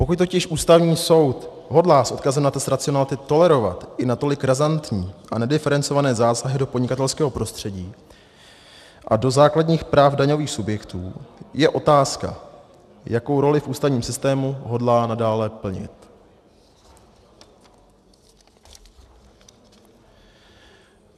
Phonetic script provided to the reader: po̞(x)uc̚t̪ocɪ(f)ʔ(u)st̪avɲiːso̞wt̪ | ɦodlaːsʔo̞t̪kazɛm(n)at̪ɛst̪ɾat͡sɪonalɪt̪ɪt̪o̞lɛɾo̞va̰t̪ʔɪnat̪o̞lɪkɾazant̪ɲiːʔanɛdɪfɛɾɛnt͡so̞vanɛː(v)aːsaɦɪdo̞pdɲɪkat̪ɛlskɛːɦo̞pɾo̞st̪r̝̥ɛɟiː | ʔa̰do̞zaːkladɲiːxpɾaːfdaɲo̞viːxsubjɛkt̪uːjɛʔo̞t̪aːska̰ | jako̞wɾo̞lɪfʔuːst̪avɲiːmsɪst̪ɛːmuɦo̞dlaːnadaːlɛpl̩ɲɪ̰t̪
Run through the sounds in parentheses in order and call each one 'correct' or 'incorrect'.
incorrect, incorrect, incorrect, correct, incorrect

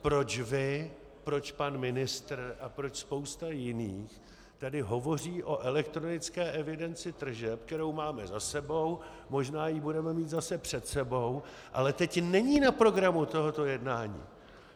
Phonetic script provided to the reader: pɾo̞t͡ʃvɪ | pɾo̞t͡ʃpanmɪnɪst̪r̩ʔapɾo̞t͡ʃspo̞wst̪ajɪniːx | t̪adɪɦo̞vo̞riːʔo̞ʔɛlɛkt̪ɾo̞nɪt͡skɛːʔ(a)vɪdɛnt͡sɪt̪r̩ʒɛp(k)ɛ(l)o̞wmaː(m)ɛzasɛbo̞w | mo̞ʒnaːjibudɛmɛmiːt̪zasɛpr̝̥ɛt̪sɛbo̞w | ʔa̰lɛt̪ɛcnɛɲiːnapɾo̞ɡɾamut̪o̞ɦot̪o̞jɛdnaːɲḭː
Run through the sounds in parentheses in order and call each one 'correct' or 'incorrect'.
incorrect, correct, incorrect, correct

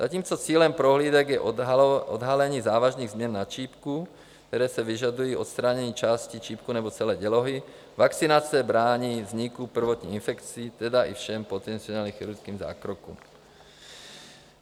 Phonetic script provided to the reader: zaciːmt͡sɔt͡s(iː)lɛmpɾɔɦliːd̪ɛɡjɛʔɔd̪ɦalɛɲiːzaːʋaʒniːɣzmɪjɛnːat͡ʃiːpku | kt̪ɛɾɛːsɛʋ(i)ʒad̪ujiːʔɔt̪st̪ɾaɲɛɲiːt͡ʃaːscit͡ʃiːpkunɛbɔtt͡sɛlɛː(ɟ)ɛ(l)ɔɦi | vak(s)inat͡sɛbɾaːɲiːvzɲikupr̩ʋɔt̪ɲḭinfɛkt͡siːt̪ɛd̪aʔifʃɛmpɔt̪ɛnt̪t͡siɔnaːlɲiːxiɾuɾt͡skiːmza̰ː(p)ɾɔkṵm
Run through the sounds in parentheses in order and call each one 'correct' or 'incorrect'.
correct, correct, correct, correct, incorrect, incorrect

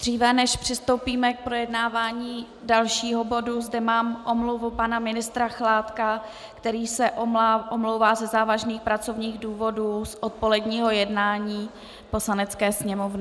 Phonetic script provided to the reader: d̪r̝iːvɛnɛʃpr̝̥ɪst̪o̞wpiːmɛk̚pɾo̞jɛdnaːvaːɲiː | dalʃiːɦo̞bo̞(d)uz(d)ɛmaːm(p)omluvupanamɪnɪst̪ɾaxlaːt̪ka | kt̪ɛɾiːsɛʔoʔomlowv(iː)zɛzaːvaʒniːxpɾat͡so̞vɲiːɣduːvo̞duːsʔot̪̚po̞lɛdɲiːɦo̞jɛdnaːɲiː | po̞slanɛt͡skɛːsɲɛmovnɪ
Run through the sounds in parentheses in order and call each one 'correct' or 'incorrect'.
correct, correct, incorrect, incorrect

